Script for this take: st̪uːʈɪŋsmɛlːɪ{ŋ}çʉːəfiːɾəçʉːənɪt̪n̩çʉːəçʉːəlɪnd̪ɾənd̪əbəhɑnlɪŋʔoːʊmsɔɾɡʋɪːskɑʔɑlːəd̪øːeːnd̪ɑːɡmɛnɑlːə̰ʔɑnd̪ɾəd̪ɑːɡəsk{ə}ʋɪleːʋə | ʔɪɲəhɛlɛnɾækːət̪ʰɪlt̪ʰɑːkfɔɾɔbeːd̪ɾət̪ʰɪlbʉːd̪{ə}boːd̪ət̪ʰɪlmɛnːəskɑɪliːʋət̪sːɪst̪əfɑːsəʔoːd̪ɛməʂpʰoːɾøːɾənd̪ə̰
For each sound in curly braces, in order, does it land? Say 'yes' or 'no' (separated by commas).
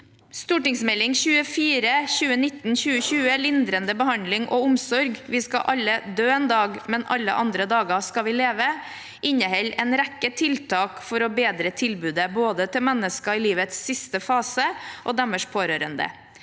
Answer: yes, no, yes